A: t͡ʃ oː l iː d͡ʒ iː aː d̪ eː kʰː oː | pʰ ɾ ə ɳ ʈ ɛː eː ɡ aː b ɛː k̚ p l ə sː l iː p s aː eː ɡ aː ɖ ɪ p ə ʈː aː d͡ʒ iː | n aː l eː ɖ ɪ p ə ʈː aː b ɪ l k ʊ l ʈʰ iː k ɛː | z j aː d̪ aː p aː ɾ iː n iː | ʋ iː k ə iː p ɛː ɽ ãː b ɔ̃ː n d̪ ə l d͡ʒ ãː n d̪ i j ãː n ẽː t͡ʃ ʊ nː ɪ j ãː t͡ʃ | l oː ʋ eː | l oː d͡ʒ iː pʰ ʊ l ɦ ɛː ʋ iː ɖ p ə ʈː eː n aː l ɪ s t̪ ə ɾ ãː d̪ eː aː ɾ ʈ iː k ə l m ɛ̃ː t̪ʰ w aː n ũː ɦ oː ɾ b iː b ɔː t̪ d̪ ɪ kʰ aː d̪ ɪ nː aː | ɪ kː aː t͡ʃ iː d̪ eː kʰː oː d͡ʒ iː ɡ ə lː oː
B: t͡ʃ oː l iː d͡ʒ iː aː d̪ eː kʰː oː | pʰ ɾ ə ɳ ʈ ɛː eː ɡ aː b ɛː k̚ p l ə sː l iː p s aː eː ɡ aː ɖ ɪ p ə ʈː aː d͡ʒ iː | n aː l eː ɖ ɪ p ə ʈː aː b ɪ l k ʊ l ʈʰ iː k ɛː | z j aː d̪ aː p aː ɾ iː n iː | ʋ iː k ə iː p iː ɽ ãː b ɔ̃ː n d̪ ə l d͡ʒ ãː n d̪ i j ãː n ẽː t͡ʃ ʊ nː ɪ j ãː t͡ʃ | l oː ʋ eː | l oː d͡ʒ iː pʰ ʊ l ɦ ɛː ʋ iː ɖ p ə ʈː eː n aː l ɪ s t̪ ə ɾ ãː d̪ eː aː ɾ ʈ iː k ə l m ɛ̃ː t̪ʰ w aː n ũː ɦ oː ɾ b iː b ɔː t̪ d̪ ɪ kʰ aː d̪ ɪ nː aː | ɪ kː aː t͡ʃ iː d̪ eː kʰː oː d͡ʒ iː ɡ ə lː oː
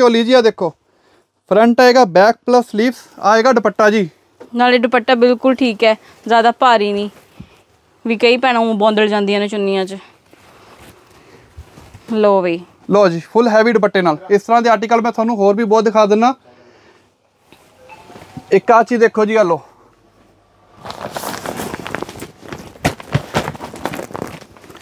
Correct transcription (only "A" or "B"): A